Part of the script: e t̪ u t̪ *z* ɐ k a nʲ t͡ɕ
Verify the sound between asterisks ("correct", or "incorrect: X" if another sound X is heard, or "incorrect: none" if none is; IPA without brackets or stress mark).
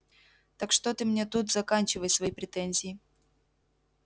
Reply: correct